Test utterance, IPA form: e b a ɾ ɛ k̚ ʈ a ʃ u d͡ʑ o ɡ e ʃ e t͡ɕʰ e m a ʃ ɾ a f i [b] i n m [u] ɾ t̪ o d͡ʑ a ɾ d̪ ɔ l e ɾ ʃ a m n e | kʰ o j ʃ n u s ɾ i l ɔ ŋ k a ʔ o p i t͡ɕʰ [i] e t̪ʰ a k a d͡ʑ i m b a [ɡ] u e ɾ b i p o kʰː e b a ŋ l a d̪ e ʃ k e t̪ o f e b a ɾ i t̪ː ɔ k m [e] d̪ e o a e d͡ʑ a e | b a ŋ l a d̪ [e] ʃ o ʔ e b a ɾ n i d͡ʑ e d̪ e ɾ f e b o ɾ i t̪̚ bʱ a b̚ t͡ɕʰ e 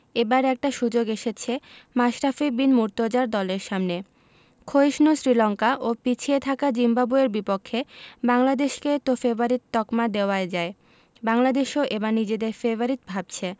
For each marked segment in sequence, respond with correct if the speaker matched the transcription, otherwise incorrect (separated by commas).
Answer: correct, correct, correct, incorrect, incorrect, correct